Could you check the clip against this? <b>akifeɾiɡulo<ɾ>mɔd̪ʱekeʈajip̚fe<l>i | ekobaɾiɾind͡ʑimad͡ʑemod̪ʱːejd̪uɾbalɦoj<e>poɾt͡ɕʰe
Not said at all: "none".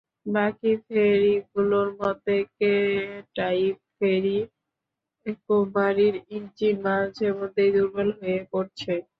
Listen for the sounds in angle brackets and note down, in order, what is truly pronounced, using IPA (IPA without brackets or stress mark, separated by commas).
b, ɾ, ɾ, e